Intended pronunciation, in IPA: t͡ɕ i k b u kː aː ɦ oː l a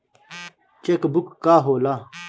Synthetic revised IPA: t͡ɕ e k b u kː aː ɦ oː l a